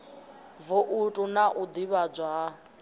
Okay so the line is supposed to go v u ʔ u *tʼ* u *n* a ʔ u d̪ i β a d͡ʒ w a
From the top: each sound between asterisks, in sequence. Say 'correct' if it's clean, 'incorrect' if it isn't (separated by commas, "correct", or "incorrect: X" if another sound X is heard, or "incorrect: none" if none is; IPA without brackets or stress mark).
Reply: correct, correct